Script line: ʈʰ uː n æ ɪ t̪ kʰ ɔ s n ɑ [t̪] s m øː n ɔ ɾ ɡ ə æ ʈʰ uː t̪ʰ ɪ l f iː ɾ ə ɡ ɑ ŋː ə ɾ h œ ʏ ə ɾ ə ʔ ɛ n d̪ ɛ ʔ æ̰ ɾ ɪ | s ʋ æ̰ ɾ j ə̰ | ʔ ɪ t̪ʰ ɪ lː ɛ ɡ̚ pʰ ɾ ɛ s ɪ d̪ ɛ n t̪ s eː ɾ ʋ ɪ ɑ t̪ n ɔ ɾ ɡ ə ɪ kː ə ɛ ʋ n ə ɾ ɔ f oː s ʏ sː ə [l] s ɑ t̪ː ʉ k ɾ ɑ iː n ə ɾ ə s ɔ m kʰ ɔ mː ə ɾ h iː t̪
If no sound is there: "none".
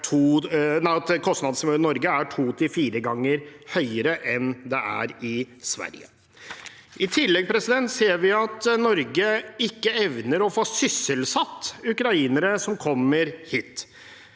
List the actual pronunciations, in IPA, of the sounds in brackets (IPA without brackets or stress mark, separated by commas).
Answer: d̪, l